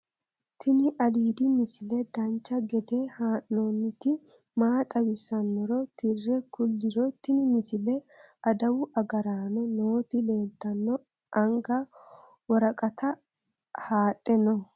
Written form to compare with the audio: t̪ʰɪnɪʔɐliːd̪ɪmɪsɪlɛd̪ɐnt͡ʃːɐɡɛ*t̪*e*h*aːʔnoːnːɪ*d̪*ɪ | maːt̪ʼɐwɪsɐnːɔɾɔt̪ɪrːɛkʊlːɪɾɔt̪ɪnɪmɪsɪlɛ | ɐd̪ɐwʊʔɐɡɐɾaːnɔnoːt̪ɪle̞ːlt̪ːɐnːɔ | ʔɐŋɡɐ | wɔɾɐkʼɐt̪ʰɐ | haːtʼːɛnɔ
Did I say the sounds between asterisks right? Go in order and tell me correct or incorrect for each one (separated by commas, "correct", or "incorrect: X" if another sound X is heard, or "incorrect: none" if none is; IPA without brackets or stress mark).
incorrect: d̪, correct, incorrect: t̪